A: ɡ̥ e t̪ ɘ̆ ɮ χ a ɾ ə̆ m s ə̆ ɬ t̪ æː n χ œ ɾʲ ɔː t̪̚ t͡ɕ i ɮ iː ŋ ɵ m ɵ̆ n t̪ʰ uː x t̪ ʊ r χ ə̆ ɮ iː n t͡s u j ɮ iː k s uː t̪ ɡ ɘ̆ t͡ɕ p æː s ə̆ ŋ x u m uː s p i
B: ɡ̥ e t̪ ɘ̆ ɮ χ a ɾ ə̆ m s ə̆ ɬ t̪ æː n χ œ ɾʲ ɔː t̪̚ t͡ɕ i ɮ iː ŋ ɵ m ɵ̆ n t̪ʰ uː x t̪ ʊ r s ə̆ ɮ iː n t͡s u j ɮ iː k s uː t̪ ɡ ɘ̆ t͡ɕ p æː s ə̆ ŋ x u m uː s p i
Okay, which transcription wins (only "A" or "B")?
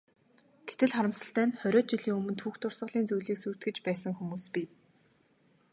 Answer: B